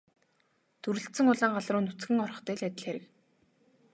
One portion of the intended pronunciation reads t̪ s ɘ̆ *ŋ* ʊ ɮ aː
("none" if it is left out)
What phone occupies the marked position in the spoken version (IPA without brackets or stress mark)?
ŋ